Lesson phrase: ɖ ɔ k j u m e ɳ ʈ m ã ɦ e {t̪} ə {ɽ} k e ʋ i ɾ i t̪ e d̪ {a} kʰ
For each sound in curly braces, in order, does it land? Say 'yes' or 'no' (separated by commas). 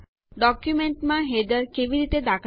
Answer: no, no, yes